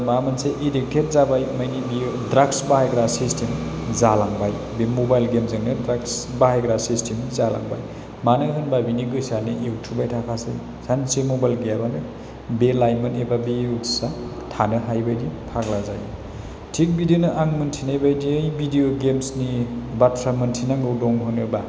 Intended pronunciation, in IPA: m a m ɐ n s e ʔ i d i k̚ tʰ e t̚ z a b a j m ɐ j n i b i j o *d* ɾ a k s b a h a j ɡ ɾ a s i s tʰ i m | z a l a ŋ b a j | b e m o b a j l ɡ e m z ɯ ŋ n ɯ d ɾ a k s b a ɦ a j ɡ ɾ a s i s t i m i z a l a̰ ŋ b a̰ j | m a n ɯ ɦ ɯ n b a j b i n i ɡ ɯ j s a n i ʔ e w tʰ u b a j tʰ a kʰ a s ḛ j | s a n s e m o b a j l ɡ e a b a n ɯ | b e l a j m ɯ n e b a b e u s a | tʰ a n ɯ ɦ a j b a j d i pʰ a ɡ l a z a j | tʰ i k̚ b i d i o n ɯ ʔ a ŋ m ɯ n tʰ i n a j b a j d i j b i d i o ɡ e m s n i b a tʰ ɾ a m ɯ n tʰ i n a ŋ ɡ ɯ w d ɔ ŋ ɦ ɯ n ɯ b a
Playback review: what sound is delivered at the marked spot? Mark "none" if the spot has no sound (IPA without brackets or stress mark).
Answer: d